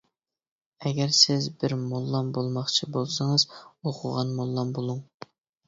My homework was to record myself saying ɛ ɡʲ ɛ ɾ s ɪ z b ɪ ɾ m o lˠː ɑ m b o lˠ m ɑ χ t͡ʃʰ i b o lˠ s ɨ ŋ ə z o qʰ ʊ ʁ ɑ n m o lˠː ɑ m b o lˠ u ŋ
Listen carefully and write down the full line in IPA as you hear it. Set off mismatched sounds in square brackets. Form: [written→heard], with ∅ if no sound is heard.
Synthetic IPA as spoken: ɛ ɡʲ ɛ ɾ s ɪ z b ɪ ɾ m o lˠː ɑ m b o lˠ m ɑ χ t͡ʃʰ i b o lˠ s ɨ ŋ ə z o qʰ ʊ ʁ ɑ n m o lˠː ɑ m b o lˠ u ŋ